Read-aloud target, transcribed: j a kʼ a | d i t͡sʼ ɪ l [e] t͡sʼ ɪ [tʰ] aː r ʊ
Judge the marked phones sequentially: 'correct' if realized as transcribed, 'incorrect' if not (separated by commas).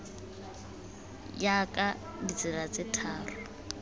incorrect, correct